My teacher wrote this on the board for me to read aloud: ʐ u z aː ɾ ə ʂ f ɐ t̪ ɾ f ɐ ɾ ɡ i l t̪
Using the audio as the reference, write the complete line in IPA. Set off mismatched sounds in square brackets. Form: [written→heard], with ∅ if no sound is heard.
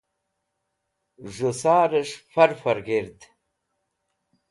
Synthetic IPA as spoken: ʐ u [z→s] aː ɾ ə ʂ f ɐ [t̪→∅] ɾ f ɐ ɾ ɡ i [l→ɾ] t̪